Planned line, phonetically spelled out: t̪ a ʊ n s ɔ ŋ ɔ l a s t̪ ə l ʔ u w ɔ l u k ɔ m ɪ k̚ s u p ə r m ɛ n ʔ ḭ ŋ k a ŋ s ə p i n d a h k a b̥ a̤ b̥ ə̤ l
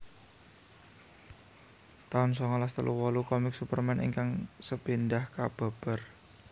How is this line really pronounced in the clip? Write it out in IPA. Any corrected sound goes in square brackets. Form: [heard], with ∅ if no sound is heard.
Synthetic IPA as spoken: t̪ a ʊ n s ɔ ŋ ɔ l a s t̪ ə l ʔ u w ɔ l u k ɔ m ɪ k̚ s u p ə r m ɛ n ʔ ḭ ŋ k a ŋ s ə p i n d a h k a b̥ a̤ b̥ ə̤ [r]